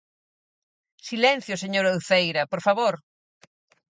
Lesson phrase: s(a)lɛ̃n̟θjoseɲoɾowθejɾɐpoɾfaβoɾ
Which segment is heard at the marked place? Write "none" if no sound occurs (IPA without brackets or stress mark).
i